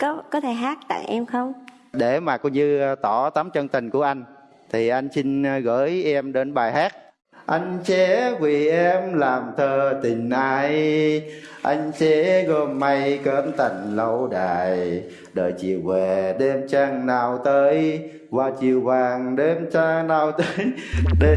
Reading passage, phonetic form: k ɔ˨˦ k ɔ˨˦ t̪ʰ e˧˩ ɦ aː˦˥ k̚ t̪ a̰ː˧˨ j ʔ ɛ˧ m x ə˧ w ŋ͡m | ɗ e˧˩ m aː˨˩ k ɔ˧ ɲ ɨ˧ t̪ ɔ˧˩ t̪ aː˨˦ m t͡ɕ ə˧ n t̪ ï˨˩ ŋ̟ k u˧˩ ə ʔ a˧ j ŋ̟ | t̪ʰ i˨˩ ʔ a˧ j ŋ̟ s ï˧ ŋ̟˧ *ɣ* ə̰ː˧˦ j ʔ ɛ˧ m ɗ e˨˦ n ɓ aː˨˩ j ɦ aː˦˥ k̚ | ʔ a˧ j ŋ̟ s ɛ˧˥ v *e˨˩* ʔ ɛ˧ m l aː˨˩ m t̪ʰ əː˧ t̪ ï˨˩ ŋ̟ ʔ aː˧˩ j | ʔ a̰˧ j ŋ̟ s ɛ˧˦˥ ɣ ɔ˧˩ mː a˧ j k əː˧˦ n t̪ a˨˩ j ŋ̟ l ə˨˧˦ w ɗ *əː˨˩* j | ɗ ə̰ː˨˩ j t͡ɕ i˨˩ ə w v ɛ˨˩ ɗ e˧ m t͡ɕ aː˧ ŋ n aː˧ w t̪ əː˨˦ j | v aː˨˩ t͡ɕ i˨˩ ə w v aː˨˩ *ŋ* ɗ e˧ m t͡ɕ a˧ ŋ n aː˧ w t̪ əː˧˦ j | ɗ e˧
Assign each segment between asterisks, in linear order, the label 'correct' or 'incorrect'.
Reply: correct, incorrect: i˨˩, incorrect: aː˨˩, correct

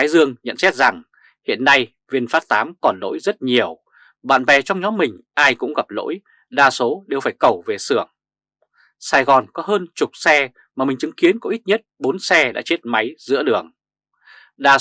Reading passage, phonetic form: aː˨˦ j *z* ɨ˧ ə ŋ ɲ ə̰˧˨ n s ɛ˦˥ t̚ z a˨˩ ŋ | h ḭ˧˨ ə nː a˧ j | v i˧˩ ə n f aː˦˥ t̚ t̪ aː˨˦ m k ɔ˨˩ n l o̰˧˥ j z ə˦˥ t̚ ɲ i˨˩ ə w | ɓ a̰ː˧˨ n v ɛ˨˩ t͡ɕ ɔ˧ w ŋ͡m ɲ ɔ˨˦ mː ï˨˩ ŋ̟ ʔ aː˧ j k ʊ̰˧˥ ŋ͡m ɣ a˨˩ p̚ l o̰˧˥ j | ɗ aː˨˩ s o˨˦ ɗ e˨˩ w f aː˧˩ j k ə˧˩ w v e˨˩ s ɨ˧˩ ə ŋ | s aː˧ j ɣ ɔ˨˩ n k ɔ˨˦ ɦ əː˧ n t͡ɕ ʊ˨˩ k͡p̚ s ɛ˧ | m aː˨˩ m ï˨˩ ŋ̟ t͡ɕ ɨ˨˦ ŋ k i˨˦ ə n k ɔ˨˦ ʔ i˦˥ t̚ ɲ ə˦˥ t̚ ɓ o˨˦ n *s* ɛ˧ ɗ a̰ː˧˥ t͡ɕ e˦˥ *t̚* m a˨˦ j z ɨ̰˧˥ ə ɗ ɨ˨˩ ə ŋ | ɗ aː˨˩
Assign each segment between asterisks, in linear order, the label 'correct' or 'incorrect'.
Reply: correct, correct, correct

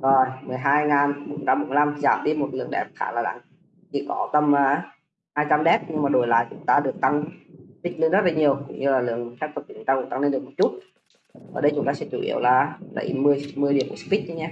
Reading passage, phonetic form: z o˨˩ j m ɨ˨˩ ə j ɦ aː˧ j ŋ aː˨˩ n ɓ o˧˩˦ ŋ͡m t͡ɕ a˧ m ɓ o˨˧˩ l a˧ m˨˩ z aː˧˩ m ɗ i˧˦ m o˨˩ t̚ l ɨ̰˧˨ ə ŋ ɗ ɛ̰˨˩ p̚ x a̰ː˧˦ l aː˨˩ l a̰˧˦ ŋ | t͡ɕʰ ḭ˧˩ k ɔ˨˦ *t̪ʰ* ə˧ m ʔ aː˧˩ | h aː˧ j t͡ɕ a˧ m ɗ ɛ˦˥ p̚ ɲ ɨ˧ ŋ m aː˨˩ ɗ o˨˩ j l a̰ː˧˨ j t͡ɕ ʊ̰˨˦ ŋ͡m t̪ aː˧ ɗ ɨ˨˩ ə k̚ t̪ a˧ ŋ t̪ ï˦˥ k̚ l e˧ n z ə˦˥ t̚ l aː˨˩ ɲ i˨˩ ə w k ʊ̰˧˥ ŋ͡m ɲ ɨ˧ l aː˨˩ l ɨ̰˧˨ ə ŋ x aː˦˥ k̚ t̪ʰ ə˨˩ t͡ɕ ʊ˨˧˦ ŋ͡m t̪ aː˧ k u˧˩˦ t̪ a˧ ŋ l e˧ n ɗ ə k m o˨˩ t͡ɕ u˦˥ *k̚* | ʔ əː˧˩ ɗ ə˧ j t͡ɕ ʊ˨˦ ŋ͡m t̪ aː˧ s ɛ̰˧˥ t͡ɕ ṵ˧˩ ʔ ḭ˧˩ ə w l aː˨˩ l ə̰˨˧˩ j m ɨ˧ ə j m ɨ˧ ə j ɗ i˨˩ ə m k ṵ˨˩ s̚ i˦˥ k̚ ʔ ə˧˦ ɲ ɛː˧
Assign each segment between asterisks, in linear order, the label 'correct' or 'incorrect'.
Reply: incorrect: t̪, incorrect: t̚

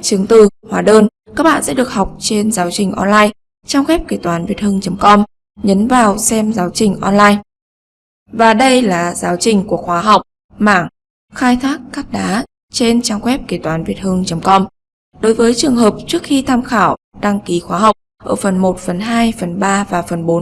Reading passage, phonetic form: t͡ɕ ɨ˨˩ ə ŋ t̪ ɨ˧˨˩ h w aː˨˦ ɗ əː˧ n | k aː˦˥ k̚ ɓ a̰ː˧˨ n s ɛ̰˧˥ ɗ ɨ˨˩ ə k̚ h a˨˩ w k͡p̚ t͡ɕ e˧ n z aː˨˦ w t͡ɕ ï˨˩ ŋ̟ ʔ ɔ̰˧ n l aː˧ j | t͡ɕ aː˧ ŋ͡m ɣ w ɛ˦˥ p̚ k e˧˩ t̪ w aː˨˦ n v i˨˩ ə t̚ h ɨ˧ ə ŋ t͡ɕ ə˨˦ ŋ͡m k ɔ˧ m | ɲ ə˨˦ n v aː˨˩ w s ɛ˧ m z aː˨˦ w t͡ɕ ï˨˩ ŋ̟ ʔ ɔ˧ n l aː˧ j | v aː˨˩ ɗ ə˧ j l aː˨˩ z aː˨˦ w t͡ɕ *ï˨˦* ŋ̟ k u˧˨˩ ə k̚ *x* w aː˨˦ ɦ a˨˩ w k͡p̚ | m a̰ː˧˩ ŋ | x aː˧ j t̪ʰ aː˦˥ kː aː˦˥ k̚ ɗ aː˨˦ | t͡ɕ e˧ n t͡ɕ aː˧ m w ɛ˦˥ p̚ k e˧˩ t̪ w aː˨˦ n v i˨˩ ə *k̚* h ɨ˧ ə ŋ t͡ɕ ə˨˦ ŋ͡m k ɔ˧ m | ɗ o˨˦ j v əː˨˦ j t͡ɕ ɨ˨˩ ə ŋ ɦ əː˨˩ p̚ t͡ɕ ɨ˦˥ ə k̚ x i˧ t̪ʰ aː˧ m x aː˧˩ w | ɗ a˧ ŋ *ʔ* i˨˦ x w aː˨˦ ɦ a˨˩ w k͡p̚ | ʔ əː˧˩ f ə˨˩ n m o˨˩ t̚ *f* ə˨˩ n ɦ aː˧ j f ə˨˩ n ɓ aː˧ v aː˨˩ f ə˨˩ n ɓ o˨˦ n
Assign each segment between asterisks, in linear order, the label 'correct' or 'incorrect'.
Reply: incorrect: ï˨˩, correct, incorrect: t̚, incorrect: k, correct

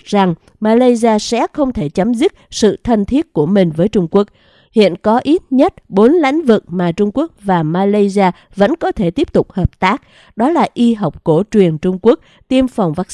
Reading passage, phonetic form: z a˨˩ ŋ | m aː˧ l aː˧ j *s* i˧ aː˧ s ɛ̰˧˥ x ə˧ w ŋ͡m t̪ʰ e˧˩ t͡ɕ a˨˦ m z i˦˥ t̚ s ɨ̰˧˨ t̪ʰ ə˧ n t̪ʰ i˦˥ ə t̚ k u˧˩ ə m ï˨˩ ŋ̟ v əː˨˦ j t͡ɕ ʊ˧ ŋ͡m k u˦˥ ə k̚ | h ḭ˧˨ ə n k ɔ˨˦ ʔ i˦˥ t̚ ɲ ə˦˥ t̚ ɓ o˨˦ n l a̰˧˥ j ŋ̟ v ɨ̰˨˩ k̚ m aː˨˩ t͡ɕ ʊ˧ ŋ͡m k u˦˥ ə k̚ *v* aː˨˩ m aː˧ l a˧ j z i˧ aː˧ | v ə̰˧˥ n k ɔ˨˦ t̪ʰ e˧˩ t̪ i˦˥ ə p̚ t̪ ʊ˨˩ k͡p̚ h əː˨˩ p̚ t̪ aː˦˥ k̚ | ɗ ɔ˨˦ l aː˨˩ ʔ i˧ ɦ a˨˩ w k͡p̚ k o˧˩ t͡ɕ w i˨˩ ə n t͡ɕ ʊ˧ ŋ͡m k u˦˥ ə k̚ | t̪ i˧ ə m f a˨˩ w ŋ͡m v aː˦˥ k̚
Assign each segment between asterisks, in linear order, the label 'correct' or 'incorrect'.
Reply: incorrect: z, correct

